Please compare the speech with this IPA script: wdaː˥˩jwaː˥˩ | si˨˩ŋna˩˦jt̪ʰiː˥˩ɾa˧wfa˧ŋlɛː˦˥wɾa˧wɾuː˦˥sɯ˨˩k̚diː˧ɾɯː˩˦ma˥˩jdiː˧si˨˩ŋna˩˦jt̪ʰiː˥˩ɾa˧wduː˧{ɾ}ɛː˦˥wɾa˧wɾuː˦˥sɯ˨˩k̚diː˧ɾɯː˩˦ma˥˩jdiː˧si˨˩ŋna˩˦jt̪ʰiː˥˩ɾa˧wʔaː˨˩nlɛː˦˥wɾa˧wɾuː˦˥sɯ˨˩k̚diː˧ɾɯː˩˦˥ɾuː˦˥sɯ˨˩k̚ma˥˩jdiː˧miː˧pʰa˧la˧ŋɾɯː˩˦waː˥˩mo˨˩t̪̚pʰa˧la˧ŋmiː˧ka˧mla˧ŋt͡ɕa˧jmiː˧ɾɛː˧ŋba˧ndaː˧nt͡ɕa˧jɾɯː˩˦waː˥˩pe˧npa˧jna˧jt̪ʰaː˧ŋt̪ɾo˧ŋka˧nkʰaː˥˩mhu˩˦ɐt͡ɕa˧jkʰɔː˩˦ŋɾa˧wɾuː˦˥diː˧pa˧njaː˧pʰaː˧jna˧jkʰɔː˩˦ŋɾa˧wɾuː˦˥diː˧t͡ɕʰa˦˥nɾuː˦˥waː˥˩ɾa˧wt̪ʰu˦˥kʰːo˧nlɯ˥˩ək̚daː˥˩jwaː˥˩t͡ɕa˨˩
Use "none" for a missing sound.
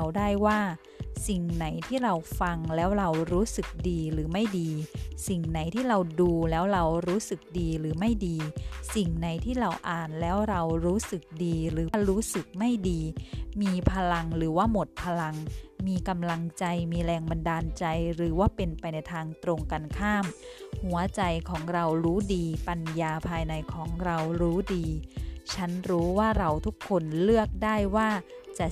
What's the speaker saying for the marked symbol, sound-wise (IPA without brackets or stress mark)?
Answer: l